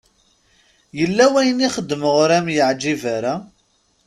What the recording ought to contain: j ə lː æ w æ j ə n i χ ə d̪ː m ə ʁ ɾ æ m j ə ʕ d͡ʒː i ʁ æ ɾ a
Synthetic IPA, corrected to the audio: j ə lː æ w æ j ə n i χ ə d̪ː m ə ʁ ɾ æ m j ə ʕ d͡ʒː i v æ ɾ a